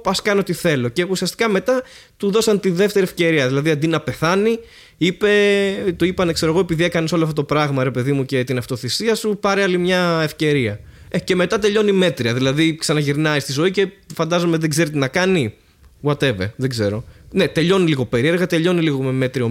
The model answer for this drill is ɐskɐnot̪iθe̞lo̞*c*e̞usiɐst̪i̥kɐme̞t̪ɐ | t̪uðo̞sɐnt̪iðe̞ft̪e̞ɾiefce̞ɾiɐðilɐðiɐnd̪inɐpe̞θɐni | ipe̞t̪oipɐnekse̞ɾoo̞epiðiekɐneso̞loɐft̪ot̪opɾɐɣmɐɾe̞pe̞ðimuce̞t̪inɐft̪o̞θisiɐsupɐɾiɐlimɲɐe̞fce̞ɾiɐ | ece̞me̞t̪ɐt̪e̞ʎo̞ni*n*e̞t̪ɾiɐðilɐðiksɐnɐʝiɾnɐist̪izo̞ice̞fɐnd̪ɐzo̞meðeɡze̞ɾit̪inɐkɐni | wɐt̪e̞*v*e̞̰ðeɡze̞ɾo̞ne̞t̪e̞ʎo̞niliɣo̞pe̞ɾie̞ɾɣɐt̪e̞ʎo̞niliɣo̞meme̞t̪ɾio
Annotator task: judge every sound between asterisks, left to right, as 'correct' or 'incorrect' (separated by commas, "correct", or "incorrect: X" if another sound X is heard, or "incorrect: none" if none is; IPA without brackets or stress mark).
correct, incorrect: m, correct